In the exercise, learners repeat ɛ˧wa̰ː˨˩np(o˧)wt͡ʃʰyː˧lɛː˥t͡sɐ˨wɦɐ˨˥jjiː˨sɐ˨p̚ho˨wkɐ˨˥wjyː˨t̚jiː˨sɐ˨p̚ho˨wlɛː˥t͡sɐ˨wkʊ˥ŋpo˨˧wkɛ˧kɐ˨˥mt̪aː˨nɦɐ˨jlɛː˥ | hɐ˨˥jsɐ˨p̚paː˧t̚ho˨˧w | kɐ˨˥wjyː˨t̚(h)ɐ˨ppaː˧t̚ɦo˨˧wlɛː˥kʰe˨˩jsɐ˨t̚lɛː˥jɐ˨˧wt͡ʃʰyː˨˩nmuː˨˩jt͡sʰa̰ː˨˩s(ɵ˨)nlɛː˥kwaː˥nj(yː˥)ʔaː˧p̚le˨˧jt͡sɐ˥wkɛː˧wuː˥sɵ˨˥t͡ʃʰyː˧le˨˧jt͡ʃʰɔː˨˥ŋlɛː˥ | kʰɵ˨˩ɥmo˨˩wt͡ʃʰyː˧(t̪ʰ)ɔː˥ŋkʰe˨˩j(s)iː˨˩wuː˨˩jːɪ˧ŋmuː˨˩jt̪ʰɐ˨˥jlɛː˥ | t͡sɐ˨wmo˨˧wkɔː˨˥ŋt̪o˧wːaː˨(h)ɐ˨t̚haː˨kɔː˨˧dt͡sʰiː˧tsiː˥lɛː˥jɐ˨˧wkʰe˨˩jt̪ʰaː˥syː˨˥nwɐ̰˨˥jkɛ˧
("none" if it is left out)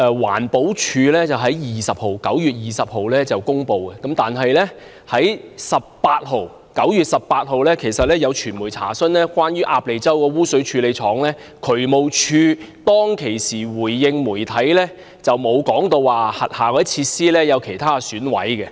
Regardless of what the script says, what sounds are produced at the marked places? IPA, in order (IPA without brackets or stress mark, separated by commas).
o˨˥, s, ɵ˥, yː˥, t̪, s, h